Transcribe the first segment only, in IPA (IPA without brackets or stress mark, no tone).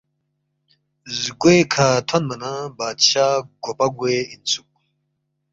z